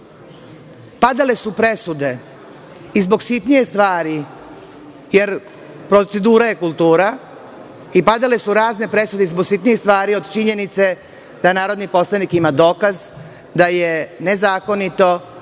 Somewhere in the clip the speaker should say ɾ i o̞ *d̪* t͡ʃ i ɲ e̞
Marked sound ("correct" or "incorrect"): correct